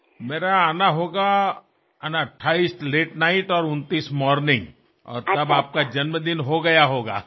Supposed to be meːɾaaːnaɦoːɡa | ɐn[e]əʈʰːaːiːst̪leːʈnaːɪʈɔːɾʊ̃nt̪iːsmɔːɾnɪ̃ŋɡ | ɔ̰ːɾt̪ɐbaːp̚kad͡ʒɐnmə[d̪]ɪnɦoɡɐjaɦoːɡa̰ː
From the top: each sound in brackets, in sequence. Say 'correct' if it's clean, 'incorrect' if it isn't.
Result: incorrect: a, correct

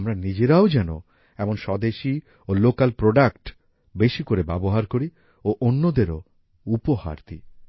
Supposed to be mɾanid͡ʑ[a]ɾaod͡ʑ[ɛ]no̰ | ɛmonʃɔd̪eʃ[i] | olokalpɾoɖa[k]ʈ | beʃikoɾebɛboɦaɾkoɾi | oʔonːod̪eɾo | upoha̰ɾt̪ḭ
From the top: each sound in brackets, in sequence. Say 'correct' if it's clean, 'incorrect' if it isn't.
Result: incorrect: e, correct, correct, correct

